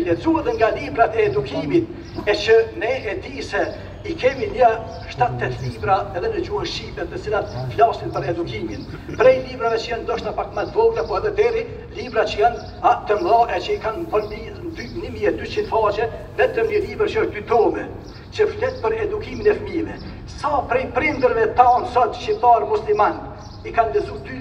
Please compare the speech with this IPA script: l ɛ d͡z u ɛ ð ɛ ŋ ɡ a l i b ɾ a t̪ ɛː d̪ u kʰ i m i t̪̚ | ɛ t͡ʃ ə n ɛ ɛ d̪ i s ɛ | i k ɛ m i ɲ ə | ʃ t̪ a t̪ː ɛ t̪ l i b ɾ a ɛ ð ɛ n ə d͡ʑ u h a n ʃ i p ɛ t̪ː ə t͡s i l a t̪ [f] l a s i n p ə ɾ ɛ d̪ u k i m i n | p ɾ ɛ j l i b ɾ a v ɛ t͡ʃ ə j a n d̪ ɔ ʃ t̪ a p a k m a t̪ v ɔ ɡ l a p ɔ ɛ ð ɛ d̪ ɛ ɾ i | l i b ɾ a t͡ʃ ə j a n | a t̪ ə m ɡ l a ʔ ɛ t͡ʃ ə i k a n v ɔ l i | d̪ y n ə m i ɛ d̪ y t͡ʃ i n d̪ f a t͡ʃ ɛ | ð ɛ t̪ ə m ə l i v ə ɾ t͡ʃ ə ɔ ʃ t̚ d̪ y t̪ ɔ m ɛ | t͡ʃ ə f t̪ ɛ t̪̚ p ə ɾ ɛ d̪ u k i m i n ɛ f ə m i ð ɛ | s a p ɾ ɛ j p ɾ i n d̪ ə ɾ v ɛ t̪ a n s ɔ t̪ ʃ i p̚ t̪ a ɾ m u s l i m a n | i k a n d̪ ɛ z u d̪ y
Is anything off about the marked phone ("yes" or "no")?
no